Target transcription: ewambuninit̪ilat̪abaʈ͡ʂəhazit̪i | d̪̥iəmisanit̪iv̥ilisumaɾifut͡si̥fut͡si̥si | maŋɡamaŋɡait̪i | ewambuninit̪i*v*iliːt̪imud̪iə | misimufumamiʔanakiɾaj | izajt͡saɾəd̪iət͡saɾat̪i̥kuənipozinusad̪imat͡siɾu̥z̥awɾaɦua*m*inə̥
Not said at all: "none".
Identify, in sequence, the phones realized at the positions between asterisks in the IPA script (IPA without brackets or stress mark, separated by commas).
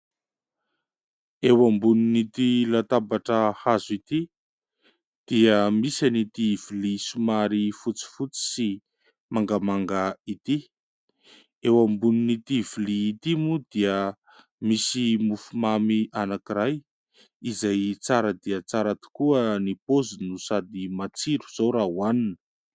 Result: v, n